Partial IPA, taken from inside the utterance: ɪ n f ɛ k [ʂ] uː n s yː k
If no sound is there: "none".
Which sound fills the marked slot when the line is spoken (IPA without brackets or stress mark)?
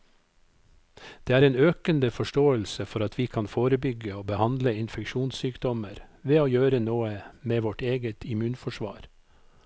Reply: ʃ